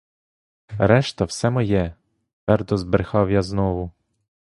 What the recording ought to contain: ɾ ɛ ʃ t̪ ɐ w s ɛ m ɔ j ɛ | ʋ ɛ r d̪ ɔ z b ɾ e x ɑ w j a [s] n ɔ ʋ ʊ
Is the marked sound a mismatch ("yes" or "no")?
yes